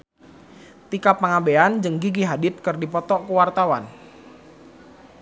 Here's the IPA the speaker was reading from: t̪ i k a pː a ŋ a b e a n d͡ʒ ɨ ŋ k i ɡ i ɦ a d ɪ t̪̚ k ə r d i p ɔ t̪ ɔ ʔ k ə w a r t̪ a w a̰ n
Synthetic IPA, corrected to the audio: t̪ i k a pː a ŋ a b e a n d͡ʒ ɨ ŋ ɡ i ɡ i ɦ a d ɪ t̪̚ k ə r d i p ɔ t̪ ɔ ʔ k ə w a r t̪ a w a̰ n